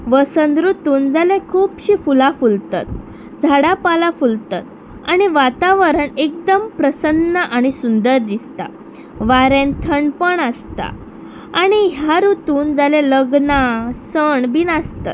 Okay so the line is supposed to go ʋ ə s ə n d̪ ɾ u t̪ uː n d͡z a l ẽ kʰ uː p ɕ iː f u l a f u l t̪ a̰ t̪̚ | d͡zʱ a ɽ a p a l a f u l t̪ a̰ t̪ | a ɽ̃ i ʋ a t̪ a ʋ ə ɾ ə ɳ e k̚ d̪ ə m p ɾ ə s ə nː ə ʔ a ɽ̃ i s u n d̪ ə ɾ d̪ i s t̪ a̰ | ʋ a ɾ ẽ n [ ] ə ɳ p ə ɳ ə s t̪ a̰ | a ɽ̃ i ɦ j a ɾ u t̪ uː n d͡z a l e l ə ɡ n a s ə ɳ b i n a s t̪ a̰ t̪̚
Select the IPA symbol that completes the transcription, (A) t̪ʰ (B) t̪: A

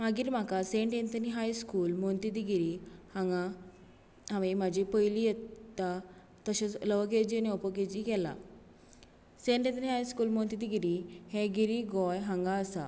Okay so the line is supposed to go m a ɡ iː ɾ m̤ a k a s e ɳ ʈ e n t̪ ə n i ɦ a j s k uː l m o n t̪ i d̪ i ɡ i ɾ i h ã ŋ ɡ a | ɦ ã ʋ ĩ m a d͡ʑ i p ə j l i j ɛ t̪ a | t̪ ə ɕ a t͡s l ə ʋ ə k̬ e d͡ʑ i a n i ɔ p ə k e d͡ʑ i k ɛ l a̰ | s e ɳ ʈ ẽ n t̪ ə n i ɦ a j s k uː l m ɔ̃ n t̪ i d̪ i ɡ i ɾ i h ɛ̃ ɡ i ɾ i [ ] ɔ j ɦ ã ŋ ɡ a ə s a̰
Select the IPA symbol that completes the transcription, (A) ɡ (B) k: A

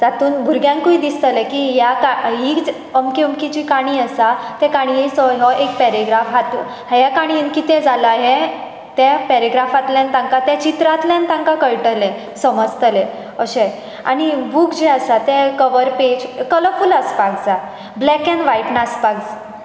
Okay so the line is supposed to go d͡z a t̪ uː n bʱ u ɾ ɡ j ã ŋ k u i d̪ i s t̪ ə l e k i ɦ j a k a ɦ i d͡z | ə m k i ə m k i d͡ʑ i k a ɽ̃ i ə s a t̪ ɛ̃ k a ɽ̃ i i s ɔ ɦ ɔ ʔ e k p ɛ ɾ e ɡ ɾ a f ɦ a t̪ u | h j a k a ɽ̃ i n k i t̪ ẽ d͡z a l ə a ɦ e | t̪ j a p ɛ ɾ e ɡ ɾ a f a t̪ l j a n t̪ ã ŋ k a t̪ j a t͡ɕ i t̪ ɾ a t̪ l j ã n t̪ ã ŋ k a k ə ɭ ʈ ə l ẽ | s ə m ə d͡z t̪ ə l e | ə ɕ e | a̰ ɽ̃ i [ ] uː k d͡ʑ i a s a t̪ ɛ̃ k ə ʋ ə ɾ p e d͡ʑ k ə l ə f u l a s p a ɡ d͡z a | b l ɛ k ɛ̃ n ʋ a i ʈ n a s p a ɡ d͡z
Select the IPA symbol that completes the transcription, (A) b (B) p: A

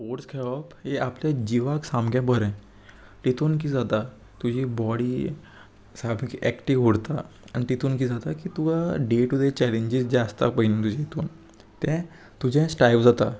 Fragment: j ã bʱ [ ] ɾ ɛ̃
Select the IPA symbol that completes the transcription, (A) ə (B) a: A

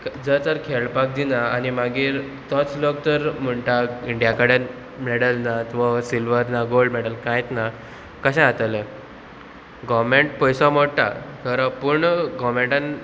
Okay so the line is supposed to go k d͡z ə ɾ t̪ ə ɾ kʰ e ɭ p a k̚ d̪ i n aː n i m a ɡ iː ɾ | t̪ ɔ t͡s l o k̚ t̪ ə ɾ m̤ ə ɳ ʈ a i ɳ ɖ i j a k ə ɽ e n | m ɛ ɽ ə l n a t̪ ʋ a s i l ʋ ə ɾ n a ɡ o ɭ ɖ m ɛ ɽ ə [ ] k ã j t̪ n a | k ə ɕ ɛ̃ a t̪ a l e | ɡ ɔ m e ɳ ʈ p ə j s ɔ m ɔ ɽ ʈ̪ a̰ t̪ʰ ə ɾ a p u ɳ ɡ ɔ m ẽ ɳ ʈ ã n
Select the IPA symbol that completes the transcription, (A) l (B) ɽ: A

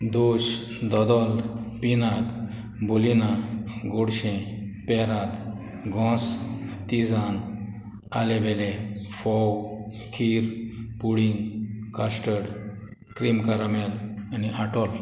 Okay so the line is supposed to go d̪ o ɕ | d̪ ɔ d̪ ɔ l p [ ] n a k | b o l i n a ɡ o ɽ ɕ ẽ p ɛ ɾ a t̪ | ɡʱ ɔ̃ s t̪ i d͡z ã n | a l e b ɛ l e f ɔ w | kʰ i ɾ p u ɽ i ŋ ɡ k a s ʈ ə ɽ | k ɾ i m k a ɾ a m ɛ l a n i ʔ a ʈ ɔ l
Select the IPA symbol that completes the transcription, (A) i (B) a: A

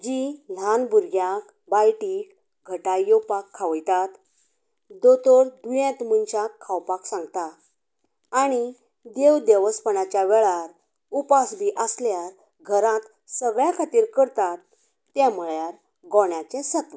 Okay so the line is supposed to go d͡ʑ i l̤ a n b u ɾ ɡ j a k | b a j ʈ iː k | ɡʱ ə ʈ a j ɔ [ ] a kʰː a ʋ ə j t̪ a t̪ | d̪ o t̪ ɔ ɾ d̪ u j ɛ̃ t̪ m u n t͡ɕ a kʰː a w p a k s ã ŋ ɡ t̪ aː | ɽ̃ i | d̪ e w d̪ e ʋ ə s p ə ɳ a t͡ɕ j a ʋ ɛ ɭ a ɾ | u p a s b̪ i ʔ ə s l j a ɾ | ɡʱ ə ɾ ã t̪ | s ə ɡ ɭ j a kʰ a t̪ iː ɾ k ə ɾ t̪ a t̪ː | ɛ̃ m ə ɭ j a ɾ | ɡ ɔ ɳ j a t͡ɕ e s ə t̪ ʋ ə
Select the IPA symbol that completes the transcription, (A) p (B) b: A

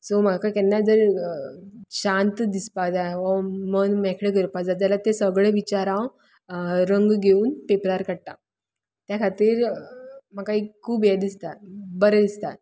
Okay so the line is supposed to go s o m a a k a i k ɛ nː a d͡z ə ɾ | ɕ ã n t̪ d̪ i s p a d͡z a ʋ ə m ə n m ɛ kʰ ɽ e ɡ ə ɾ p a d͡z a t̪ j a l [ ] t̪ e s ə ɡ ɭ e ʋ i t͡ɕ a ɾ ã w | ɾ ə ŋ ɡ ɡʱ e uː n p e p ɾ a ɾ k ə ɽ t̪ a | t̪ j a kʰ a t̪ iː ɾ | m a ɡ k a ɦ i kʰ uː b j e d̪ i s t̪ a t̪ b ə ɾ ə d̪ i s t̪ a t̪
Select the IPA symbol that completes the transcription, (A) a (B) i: A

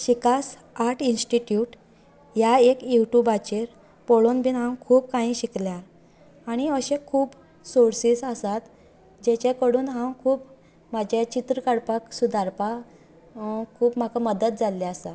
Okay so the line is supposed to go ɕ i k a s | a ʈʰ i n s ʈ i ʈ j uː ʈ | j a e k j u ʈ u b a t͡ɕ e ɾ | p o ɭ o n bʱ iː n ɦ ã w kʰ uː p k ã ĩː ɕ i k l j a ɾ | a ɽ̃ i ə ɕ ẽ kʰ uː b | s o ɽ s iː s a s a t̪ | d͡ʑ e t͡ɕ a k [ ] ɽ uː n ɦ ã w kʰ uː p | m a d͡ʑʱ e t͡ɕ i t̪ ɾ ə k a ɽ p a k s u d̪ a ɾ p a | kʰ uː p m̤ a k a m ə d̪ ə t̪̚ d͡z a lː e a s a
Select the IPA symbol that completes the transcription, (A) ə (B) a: A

